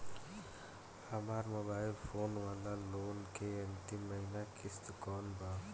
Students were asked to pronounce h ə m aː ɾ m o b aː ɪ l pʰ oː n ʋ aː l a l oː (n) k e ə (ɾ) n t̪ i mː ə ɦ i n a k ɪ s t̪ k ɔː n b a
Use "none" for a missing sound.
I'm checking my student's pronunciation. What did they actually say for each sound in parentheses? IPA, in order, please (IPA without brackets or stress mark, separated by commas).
n, none